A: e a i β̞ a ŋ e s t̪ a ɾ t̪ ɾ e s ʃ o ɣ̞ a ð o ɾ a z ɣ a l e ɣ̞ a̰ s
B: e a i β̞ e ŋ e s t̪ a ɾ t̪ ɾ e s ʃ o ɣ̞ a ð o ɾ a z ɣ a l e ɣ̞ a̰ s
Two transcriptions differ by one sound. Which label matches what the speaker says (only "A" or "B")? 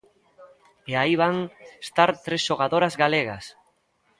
A